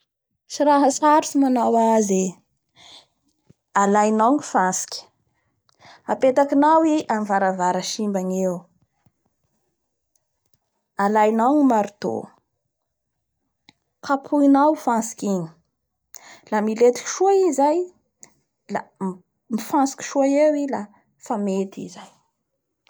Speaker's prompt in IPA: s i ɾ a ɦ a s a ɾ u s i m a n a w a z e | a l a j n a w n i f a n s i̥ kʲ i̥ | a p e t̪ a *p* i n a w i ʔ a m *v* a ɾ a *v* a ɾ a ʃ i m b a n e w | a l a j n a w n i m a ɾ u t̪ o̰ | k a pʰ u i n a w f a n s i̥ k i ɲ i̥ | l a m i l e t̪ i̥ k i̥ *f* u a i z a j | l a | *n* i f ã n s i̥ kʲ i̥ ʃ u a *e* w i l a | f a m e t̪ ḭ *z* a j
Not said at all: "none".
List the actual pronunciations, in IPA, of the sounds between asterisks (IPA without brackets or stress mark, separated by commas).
k, v, v, ʃ, m, e, z